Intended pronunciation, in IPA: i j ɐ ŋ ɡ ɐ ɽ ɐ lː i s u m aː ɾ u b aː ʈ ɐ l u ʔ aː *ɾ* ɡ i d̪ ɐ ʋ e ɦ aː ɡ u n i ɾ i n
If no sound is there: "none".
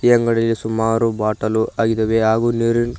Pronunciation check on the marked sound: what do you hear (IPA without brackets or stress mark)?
none